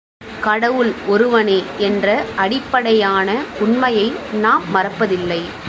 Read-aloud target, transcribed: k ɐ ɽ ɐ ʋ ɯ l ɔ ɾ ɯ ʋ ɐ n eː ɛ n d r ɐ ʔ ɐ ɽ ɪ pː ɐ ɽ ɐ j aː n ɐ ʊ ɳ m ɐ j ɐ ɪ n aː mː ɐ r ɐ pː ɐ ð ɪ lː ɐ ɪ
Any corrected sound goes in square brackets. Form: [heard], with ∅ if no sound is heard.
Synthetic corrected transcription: k ɐ ɽ ɐ ʋ ɯ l ɔ ɾ ɯ ʋ ɐ n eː ɛ n d r ɐ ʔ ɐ ɽ ɪ pː ɐ ɽ ɐ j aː n ɐ ʊ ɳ m ɐ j ɐ ɪ n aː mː ɐ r ɐ pː ɐ ð ɪ lː ɐ ɪ